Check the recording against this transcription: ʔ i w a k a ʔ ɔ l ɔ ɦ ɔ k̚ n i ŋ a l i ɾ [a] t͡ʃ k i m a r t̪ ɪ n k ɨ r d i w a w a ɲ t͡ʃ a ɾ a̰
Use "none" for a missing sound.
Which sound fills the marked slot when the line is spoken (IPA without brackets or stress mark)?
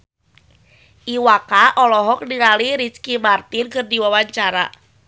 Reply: i